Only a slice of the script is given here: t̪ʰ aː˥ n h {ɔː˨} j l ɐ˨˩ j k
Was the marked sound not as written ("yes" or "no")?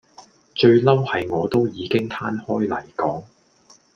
yes